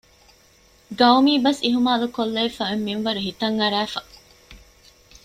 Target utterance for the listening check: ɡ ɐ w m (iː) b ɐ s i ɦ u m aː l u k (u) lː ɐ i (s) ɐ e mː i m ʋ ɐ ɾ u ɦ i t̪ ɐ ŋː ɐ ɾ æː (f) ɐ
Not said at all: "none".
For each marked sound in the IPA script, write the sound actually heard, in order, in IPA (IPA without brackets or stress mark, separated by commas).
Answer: iː, o, f, f